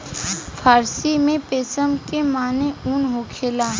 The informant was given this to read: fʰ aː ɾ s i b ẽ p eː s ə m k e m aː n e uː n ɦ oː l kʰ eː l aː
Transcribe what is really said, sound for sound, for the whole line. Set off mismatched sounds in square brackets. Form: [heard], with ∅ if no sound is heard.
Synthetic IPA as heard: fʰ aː ɾ s i [m] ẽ p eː s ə m k e m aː n e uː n ɦ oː [∅] kʰ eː l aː